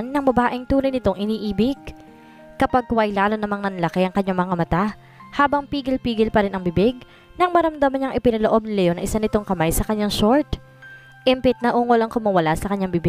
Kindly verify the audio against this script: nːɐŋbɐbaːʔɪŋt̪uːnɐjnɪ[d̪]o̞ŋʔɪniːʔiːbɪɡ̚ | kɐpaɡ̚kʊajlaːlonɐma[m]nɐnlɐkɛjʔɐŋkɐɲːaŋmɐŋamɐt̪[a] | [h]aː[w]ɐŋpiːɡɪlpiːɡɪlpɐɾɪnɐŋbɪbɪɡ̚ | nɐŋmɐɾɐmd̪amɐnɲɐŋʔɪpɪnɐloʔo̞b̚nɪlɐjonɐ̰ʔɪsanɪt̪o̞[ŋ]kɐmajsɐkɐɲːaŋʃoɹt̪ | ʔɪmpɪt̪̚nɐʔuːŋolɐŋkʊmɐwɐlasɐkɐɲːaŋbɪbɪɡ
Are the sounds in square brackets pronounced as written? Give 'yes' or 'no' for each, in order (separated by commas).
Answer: no, no, yes, yes, no, yes